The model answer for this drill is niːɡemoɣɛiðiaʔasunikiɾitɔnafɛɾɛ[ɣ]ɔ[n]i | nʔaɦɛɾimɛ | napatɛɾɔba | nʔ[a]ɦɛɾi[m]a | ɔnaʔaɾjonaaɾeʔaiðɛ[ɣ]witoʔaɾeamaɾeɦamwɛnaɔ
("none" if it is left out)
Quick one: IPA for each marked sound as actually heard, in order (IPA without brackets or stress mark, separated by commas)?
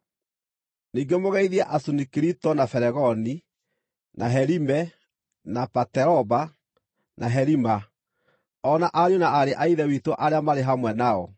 ɣ, n, a, m, none